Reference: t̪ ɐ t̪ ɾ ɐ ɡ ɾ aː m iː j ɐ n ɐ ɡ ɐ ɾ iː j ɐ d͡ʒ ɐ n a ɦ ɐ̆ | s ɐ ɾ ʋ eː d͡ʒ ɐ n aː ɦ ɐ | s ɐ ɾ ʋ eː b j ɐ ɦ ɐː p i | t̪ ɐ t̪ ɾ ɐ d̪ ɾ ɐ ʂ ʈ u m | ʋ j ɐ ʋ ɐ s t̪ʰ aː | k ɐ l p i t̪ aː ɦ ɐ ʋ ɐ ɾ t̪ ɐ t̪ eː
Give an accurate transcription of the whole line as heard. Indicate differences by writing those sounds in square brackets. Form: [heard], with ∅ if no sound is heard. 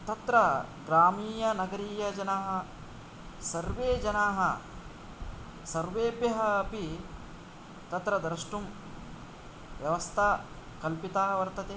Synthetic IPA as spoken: t̪ ɐ t̪ ɾ ɐ ɡ ɾ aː m iː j ɐ n ɐ ɡ ɐ ɾ iː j ɐ d͡ʒ ɐ n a ɦ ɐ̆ | s ɐ ɾ ʋ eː d͡ʒ ɐ n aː ɦ ɐ | s ɐ ɾ ʋ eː b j ɐ ɦ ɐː p i | t̪ ɐ t̪ ɾ ɐ d̪ ɾ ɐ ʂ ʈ u m | ʋ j ɐ ʋ ɐ s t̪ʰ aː | k ɐ l p i t̪ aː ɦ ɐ ʋ ɐ ɾ t̪ ɐ t̪ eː